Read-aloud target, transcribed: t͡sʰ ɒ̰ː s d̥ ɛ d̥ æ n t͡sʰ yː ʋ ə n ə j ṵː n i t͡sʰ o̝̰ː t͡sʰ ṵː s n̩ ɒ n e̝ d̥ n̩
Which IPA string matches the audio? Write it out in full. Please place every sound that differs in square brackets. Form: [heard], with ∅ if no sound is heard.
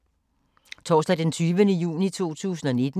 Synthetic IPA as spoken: t͡sʰ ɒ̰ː s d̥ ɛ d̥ [e] n t͡sʰ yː ʋ ə n ə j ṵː n i t͡sʰ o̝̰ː t͡sʰ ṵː s n̩ ɒ n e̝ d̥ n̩